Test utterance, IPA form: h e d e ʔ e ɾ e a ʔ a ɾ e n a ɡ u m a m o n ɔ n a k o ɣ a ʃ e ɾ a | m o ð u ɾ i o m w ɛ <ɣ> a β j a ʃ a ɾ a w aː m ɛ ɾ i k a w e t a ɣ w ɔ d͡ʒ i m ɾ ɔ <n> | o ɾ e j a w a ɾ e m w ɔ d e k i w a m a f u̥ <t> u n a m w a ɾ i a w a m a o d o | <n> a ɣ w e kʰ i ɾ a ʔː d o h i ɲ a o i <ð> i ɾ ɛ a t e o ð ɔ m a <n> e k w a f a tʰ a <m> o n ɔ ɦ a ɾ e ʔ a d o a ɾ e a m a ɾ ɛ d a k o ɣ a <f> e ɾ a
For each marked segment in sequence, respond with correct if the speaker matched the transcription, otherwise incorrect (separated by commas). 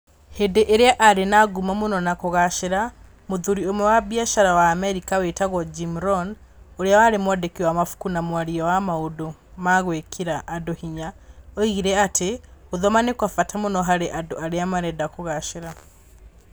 incorrect, correct, incorrect, incorrect, incorrect, correct, correct, incorrect